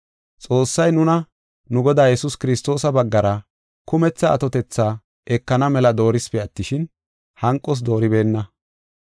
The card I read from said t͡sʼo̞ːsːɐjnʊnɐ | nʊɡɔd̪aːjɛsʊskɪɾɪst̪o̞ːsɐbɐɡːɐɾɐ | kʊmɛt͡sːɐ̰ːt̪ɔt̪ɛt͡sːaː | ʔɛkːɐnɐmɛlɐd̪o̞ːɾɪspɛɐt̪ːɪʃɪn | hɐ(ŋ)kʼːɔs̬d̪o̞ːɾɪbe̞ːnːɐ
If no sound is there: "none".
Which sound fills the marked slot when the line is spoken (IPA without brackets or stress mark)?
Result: ŋ